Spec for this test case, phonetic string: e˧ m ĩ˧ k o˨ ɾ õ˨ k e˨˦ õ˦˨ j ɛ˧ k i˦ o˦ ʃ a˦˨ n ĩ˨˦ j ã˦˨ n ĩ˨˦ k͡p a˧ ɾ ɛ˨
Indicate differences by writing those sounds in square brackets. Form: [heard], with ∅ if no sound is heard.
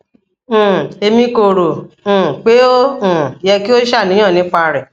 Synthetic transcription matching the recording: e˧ m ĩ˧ k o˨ ɾ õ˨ [k͡p] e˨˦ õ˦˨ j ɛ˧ k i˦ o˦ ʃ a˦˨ n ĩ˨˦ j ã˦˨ n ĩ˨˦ k͡p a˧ ɾ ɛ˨